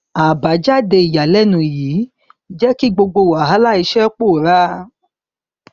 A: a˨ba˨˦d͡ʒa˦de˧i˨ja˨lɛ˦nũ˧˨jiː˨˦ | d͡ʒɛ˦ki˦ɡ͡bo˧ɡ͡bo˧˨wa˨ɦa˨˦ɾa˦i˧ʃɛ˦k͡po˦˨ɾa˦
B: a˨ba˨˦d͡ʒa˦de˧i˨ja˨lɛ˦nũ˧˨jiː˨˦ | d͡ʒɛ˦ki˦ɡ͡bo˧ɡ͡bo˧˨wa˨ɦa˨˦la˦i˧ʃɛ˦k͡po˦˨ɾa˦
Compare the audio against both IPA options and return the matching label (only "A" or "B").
B